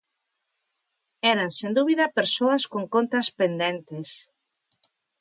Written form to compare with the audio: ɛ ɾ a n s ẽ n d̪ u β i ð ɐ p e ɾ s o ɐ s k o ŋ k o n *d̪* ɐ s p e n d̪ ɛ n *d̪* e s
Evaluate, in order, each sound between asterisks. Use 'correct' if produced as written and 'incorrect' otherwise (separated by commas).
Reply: incorrect, incorrect